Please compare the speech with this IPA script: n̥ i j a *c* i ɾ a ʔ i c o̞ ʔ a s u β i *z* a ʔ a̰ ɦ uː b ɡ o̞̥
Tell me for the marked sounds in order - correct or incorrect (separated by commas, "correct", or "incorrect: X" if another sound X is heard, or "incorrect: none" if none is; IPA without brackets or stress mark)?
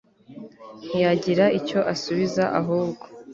incorrect: ɟ, correct